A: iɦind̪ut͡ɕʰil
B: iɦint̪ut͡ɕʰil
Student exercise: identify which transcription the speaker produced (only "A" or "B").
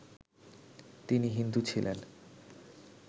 A